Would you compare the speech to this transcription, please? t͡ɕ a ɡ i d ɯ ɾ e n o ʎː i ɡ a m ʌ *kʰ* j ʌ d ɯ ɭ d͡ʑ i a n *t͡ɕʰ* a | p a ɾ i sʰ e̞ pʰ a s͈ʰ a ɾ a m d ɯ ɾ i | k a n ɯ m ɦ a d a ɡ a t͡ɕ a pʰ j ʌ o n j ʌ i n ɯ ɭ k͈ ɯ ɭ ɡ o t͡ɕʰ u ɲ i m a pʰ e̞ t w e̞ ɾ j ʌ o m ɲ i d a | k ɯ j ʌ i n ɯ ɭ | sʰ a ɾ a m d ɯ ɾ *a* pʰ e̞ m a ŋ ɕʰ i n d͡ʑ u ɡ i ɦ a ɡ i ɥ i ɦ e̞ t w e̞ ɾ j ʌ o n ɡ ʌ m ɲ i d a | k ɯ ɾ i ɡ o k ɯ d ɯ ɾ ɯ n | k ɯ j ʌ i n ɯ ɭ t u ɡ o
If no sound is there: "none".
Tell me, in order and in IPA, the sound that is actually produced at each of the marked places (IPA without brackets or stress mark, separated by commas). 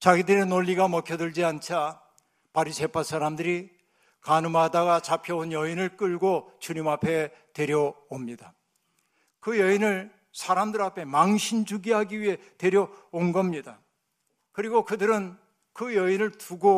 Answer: kʰ, t͡ɕʰ, a